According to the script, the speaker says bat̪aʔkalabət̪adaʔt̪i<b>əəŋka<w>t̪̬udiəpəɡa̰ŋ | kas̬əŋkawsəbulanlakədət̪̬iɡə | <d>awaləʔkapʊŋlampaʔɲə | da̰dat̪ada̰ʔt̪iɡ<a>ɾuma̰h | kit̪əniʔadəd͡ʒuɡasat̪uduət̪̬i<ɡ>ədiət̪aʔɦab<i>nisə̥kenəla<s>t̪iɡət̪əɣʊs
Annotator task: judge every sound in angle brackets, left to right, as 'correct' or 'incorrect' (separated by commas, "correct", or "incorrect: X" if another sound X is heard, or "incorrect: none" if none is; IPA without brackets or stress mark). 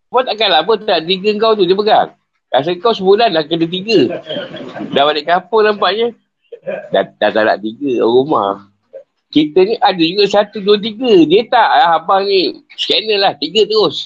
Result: incorrect: ɡ, correct, correct, incorrect: ə, correct, incorrect: a, incorrect: h